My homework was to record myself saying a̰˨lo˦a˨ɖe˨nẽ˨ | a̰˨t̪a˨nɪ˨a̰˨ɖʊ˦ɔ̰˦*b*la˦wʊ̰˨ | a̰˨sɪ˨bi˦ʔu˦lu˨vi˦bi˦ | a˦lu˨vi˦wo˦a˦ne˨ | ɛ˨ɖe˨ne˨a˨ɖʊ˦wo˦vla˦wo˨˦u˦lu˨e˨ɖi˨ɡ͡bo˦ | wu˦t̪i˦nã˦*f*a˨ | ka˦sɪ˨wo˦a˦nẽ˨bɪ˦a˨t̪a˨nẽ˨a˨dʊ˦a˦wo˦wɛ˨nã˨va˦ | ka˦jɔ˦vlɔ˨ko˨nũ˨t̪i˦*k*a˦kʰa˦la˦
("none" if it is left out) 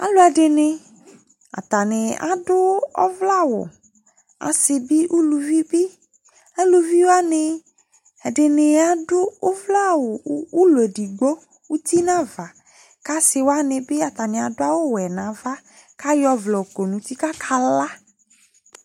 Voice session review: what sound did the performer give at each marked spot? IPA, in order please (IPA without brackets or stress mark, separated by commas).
v, v, k